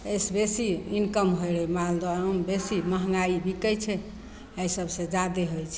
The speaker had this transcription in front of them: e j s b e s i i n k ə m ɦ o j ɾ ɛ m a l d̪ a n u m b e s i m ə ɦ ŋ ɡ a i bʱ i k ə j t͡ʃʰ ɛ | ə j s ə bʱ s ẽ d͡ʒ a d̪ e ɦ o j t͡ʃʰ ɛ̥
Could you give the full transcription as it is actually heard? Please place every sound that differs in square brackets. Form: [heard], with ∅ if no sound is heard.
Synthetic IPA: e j s b e s i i n k ə m ɦ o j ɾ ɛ m a l d̪ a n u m b e s i m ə ɦ ŋ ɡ a i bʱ i k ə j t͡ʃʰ ɛ | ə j s ə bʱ s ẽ d͡ʒ a d̪ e ɦ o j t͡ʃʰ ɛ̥